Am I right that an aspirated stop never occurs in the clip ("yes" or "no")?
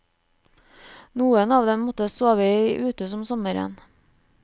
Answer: yes